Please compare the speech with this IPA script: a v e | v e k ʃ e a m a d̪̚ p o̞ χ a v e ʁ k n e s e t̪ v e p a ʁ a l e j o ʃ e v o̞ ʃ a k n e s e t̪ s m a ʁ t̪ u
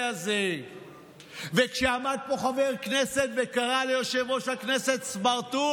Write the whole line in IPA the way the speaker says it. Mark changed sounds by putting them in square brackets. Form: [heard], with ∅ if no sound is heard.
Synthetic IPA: a [z] e | v e k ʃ e a m a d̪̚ p o̞ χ a v e ʁ k n e s e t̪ v e [k] a ʁ a l e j o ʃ e v o̞ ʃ a k n e s e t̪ s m a ʁ t̪ u